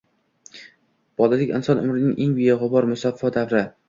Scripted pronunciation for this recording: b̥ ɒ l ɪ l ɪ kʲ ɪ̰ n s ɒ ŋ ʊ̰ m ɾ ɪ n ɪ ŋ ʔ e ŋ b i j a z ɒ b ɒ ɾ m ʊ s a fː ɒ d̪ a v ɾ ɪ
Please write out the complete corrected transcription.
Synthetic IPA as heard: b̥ ɒ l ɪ l ɪ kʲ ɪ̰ n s ɒ n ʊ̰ m ɾ ɪ n ɪ ŋ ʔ e ŋ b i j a ʁ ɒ b ɒ ɾ m ʊ s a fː ɒ d̪ a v ɾ ɪ

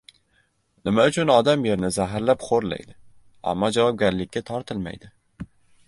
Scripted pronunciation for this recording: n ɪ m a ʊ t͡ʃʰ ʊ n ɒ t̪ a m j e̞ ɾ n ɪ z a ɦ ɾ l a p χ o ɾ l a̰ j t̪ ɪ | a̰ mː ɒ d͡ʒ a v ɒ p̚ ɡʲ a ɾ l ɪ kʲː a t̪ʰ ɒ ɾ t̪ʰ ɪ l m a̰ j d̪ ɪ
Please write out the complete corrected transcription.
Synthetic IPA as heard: n ɪ m a ʊ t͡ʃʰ ʊ n ɒ d̪ a m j e̞ ɾ n ɪ z a ɦ ɾ l a p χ o ɾ l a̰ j d̪ ɪ | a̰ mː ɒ d͡ʒ a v ɒ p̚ ɡʲ a ɾ l ɪ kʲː a t̪ʰ ɒ ɾ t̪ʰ ɪ l m a̰ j d̪ ɪ

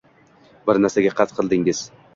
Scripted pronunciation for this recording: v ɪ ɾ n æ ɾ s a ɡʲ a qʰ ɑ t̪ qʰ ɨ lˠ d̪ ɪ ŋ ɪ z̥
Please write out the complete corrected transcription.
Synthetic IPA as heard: b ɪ ɾ n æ ɾ s a ɡʲ a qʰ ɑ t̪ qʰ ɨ lˠ d̪ ɪ ŋ ɪ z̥

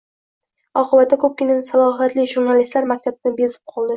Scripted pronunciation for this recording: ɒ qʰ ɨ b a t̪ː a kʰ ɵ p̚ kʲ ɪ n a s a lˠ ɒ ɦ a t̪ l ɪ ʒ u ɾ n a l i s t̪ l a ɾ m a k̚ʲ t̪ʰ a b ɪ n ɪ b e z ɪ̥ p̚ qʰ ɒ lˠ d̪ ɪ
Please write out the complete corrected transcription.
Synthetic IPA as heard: ɒ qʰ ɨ b a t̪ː a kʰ ɵ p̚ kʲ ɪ n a s a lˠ ɒ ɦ a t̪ l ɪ ʒ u ɾ n a l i s t̪ l a ɾ m a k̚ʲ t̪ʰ a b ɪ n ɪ b e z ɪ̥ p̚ qʰ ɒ lˠ d̪ ɪ

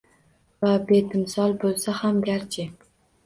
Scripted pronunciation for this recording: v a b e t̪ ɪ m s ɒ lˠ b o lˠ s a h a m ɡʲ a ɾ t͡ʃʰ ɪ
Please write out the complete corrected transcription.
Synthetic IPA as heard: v a b e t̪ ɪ m s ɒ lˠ b o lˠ s a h a m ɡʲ a ɾ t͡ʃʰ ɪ

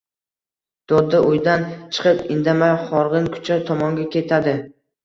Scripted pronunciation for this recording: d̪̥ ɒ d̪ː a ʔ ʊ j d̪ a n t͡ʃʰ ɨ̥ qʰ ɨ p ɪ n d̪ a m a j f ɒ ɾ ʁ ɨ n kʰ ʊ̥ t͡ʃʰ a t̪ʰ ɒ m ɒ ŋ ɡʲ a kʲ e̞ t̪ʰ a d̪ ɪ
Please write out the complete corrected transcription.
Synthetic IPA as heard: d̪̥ ɒ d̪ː a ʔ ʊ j d̪ a n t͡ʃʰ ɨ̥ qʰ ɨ p ɪ n d̪ a m a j χ ɒ ɾ ʁ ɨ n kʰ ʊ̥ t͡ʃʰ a t̪ʰ ɒ m ɒ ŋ ɡʲ a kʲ e̞ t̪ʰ a d̪ ɪ

